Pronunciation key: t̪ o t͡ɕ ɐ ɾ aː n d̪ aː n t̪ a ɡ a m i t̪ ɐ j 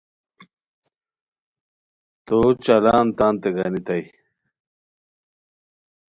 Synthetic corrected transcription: t̪ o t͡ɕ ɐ l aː n t̪ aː n t̪ e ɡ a n i t̪ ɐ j